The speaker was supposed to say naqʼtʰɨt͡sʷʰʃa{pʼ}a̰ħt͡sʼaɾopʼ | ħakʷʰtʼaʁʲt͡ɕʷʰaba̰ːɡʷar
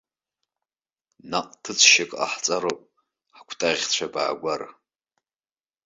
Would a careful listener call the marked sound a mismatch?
yes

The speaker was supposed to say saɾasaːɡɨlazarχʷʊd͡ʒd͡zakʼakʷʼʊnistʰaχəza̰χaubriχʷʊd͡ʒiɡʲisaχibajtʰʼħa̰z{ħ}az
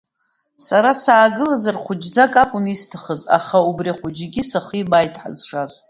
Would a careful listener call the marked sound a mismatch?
yes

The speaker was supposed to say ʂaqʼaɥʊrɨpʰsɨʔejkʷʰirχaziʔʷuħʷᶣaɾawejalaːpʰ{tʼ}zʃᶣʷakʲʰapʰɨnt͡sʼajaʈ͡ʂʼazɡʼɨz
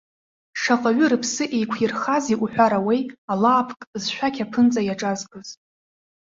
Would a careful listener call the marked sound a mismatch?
yes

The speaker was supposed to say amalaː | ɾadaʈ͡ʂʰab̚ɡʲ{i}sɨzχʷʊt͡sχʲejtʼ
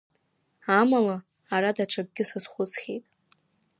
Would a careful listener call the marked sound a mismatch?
yes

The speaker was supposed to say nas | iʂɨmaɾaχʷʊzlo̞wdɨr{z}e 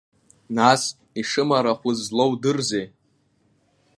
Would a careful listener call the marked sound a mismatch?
no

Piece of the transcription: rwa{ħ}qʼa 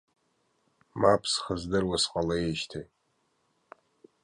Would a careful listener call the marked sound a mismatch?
yes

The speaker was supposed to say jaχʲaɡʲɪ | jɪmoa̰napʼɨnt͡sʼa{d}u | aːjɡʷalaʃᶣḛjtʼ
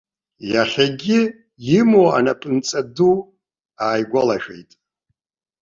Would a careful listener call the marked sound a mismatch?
no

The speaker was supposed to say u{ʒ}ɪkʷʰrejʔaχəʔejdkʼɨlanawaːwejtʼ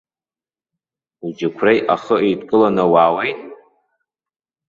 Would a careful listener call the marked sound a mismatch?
yes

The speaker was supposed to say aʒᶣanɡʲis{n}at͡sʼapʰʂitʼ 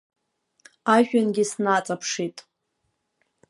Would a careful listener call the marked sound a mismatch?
no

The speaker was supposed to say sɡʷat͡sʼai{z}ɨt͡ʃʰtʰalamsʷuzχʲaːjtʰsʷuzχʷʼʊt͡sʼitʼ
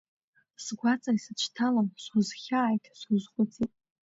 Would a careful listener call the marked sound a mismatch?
yes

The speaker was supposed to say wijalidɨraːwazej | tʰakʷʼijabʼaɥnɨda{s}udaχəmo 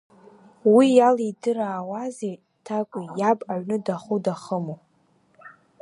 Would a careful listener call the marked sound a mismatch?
yes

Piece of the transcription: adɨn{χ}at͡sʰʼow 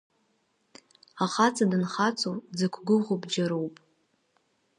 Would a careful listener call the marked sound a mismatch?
no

